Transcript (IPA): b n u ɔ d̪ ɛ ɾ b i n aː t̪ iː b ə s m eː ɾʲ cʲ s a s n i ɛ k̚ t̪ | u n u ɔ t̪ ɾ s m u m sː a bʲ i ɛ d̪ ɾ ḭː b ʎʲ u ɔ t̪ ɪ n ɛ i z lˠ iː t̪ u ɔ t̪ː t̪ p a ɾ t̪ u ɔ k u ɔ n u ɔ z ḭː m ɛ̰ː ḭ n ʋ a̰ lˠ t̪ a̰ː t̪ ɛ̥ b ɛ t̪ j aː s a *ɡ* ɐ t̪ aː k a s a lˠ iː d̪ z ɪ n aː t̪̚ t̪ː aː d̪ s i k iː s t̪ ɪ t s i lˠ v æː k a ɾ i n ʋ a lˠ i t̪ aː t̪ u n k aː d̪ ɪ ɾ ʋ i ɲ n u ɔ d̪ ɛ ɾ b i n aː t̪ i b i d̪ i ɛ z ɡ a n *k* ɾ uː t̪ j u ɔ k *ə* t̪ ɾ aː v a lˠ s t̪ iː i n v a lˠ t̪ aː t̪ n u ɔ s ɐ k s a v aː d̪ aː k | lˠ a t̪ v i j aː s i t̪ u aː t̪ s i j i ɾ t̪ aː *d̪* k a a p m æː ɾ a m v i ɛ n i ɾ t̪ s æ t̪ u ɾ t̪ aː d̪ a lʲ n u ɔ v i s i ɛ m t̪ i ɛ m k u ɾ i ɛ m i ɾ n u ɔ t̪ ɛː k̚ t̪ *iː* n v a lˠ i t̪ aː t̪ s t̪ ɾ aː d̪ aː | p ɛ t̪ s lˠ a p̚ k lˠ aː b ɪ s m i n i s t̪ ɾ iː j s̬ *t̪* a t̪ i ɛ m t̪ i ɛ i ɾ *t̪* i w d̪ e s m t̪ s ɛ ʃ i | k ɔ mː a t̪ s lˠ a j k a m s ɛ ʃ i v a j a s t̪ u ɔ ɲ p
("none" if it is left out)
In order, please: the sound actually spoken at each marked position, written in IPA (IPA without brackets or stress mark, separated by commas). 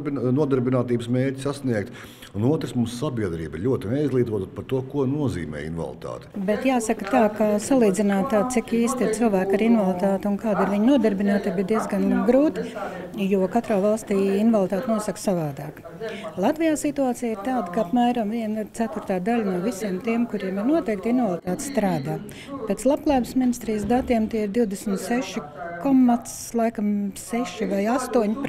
k, ɡ, a, d̪, i, d̪, d̪